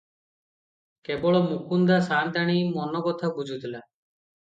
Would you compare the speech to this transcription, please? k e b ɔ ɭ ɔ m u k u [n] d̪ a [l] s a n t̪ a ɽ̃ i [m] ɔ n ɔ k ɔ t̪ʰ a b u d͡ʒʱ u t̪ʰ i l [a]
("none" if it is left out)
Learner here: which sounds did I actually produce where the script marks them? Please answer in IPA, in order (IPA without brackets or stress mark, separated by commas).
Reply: n, none, m, a